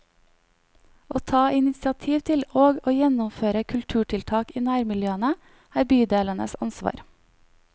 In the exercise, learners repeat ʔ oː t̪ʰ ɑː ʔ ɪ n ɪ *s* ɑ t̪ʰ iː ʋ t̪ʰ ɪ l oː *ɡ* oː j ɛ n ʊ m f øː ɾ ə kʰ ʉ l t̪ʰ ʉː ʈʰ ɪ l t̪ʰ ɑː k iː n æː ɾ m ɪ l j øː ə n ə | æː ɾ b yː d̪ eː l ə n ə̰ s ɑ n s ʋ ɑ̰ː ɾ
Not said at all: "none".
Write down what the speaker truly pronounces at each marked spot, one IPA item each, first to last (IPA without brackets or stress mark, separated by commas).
s, ɡ